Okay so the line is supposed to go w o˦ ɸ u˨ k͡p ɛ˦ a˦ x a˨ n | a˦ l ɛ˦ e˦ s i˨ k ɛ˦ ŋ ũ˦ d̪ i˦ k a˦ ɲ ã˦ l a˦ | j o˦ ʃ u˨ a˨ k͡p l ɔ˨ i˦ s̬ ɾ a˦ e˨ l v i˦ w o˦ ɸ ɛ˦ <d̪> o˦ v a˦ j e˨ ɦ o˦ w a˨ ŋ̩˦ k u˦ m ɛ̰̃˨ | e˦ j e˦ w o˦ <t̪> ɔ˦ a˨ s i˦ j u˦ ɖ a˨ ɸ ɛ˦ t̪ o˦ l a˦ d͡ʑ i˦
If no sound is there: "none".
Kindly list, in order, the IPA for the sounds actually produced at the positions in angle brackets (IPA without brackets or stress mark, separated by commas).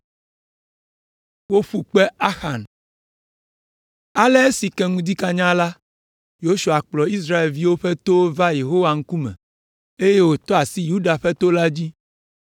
t̪, t̪